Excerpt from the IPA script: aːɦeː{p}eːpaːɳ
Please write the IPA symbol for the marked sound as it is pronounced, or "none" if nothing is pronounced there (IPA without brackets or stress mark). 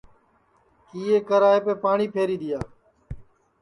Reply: p